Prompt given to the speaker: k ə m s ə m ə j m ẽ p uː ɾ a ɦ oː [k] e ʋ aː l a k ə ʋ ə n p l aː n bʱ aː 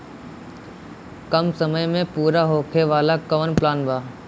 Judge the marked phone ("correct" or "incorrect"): incorrect